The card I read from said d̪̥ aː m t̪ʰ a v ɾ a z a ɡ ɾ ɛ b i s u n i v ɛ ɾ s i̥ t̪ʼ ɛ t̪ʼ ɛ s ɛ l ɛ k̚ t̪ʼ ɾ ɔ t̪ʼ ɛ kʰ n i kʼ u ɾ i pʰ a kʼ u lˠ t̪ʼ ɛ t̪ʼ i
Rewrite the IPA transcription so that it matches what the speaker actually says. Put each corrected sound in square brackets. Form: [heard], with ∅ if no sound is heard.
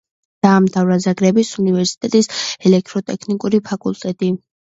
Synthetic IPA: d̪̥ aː m t̪ʰ a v ɾ a z a ɡ ɾ ɛ b i s u n i v ɛ ɾ s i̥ t̪ʼ ɛ t̪ʼ [i] s ɛ l ɛ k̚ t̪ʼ ɾ ɔ t̪ʼ ɛ kʰ n i kʼ u ɾ i pʰ a kʼ u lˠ t̪ʼ ɛ t̪ʼ i